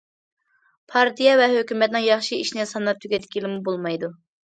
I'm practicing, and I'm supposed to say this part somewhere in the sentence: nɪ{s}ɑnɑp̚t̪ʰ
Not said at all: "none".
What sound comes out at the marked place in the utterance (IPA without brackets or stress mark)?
s